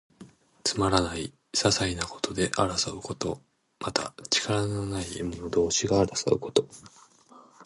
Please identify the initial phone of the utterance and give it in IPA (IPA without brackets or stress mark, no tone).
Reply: t͡s